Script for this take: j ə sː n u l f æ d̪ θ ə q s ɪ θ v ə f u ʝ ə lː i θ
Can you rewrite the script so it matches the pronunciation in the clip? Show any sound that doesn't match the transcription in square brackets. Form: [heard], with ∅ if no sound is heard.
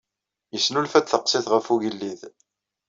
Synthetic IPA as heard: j ə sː n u l f æ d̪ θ ə q s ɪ θ [ʁ] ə f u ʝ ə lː i [ð]